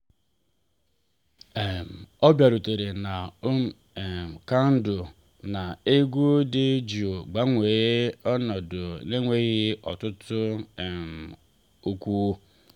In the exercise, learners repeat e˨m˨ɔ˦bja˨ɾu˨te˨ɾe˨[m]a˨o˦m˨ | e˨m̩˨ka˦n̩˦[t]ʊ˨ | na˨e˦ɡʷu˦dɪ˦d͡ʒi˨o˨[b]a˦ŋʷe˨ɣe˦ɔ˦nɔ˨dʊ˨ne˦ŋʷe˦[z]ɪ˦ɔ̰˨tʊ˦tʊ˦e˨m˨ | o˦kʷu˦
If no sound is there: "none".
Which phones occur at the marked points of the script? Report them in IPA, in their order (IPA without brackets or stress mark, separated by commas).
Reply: n, d, ɡ͡b, ɣ